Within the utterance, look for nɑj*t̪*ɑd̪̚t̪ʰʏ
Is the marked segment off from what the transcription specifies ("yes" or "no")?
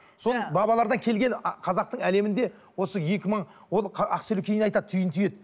no